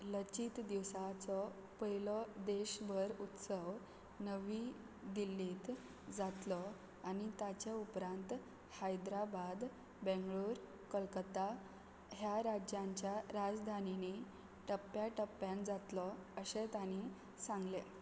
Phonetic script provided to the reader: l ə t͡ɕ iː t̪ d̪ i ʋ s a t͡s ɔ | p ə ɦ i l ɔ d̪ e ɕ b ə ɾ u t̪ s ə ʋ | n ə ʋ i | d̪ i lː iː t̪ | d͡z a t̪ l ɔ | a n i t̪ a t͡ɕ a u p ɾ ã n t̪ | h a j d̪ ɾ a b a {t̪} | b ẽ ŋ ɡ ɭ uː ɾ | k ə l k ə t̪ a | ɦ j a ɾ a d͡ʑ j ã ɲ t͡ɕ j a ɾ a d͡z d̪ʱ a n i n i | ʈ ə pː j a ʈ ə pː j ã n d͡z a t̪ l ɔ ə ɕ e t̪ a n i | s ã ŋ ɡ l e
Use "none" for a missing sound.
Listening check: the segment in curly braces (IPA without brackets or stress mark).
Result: d̪